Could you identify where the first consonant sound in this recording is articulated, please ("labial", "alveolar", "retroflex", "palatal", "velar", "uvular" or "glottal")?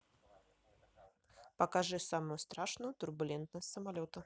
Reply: labial